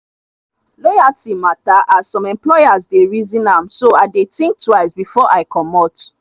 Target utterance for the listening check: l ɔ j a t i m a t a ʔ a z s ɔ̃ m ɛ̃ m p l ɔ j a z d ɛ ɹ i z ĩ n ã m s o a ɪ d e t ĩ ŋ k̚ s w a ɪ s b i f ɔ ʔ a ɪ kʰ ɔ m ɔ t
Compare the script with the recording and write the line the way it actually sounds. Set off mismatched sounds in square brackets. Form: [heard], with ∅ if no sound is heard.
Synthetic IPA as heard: l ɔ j a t i m a t a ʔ a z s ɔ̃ m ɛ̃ m p l ɔ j a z d [e] ɹ i z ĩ n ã m s o a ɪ d e t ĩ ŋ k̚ [t] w a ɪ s b i f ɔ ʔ a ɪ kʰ ɔ m ɔ t